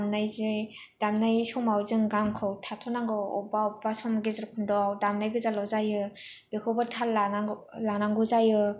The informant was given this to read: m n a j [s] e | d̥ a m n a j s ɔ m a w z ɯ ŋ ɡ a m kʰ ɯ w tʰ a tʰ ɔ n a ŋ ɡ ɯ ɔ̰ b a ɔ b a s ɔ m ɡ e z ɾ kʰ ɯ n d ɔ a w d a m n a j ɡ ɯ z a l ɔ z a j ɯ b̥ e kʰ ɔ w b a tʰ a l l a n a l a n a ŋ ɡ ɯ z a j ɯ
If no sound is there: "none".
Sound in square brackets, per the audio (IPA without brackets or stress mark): z